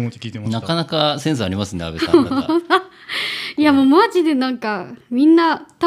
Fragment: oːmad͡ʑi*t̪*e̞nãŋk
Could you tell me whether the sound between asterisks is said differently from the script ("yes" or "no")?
yes